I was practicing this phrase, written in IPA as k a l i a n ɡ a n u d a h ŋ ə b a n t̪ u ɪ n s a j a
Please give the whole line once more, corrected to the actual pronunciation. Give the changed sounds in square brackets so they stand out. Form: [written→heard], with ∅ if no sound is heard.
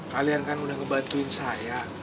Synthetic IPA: k a l i a n [ɡ→k] a n u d a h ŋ ə b a n t̪ u ɪ n s a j a